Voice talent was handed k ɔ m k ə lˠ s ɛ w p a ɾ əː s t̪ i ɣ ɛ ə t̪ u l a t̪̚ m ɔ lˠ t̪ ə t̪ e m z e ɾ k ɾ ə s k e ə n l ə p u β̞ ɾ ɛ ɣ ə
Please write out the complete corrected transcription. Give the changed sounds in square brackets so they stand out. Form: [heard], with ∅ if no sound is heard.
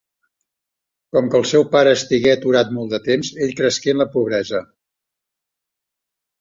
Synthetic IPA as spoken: k ɔ m k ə lˠ s ɛ w p a ɾ əː s t̪ i ɣ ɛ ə t̪ u [ɾ] a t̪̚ m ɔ lˠ [d̪] ə t̪ e m z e [ʎ] k ɾ ə s k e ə n l ə p u β̞ ɾ ɛ [z] ə